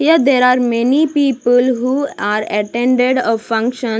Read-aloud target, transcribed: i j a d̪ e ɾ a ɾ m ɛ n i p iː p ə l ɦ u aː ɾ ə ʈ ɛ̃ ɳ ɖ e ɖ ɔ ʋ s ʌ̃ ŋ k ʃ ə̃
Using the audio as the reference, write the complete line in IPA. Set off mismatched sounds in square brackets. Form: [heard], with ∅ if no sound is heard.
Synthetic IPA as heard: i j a d̪ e ɾ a ɾ m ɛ n i p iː p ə l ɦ u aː ɾ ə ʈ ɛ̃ ɳ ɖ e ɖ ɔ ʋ [f] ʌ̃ ŋ k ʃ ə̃

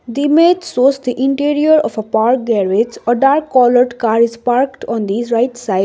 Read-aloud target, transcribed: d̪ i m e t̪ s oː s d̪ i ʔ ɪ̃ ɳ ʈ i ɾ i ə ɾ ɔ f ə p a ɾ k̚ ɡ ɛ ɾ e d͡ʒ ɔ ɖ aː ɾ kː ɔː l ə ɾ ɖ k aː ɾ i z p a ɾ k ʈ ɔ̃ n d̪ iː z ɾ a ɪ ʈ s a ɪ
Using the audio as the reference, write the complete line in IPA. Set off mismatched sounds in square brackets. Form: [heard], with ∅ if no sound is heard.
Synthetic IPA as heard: d̪ i m e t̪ s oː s d̪ i ʔ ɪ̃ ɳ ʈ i ɾ i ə ɾ ɔ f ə p a ɾ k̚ ɡ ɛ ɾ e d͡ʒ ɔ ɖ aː ɾ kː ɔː l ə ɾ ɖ k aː ɾ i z p a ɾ k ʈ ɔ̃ n d̪ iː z ɾ a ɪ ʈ s a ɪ

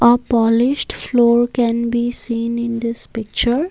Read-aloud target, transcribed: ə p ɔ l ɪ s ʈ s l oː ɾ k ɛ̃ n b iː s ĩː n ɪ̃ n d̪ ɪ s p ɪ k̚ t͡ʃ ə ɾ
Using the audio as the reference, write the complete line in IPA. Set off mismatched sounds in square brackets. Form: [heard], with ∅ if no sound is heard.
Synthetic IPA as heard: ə p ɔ l ɪ [ʃ] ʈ [f] l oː ɾ k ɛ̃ n b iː s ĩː n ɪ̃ n d̪ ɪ s p ɪ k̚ t͡ʃ ə ɾ

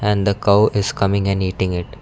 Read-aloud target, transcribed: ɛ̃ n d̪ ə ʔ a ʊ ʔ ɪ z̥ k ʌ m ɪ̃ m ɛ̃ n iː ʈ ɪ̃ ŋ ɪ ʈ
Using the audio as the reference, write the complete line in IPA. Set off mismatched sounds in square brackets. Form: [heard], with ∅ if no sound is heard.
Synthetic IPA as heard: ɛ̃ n d̪ ə [k] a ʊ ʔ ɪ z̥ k ʌ m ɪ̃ [ŋ] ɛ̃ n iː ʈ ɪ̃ ŋ ɪ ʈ

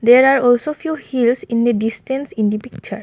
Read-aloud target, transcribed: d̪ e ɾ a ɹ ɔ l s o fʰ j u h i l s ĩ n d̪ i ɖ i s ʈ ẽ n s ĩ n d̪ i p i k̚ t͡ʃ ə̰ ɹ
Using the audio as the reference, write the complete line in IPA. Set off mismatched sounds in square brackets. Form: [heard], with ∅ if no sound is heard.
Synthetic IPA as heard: d̪ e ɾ a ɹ ɔ l s o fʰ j u h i l s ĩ n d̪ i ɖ i s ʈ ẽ n s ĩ n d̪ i p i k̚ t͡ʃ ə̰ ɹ

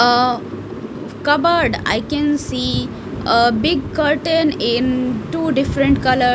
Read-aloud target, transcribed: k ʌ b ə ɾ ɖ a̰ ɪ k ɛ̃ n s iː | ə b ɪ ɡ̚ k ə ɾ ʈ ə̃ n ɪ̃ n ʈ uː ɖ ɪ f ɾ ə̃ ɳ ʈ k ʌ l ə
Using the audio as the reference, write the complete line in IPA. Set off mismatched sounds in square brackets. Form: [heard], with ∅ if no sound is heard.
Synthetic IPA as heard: k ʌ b ə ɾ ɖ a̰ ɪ k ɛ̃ n s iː | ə b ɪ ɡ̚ k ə ɾ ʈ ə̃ n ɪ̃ n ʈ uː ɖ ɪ f ɾ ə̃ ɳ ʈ k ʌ l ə

